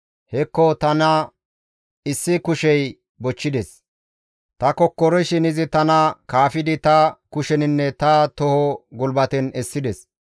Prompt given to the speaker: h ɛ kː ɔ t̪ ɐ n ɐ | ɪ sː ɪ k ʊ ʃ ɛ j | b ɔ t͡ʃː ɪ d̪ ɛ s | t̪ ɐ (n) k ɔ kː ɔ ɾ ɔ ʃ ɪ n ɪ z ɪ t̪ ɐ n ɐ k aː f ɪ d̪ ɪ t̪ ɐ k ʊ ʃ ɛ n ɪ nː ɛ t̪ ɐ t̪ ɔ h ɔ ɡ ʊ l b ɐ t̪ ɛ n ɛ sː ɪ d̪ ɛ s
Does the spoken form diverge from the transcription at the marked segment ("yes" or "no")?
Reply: yes